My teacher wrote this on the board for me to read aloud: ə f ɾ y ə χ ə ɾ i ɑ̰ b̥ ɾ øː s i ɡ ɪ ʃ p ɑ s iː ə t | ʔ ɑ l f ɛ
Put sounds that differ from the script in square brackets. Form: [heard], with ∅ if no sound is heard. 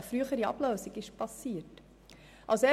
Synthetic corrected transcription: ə f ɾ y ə χ ə ɾ i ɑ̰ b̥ [l] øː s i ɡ ɪ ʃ p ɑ s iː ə t | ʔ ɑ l [s] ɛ